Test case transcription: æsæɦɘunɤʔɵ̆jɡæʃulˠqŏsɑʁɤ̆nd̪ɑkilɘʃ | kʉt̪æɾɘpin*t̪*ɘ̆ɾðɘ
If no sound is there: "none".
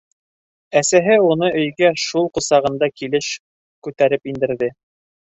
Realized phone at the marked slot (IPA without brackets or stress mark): d̪